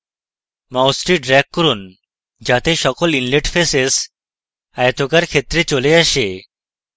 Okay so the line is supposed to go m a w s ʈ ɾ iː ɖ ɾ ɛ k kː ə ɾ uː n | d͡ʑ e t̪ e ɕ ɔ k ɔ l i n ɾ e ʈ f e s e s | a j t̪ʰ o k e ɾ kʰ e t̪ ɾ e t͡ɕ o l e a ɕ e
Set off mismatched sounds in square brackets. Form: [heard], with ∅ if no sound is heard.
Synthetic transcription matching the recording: m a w s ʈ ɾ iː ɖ ɾ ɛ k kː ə ɾ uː n | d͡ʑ [a] t̪ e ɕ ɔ k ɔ l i n [l] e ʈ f e s e s | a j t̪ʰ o k [a] ɾ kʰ e t̪ ɾ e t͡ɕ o l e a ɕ e

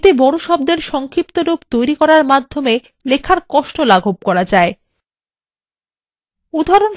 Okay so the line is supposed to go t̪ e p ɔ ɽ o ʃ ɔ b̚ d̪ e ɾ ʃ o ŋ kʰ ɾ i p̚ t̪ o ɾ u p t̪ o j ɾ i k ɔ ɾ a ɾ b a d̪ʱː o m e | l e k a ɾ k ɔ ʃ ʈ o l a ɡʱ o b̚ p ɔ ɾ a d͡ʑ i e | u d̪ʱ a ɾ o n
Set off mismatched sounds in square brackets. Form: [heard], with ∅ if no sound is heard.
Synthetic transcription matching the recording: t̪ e [b] ɔ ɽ o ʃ ɔ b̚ d̪ e ɾ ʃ [ɔ] ŋ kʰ ɾ i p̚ t̪ o ɾ u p t̪ o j ɾ i k ɔ ɾ a ɾ [m] a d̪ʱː o m e | l e [kʰ] a ɾ k ɔ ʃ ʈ o l a ɡʱ o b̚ [k] ɔ ɾ a d͡ʑ [a] e | u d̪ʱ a ɾ o n

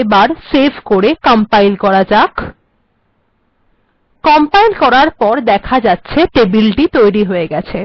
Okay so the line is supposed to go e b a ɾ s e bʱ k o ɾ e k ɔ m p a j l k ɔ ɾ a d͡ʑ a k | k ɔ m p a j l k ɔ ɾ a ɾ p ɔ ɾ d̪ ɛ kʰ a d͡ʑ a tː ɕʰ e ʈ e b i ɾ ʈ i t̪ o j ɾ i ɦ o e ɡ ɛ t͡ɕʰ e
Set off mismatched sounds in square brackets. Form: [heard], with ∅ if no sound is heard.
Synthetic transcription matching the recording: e b a ɾ s e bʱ k o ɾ e k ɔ m p a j l k ɔ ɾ a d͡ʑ a k | k ɔ m p a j l k ɔ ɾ a ɾ p ɔ ɾ d̪ ɛ kʰ a d͡ʑ a tː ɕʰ e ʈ e b i [l] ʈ i t̪ o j ɾ i ɦ o e ɡ ɛ t͡ɕʰ e

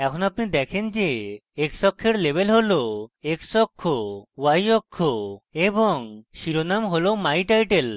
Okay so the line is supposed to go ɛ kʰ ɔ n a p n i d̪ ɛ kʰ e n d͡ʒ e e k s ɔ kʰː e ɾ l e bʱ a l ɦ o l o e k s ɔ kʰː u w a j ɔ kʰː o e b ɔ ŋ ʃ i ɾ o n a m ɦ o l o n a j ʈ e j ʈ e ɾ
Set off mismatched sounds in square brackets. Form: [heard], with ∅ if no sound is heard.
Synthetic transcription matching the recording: ɛ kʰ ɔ n a p n i d̪ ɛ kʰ e n d͡ʒ e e k s ɔ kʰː e ɾ l e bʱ [e] l ɦ o l o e k s ɔ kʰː [o] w a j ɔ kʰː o e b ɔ ŋ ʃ i ɾ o n a m ɦ o l o [m] a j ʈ [a] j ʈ e [l]

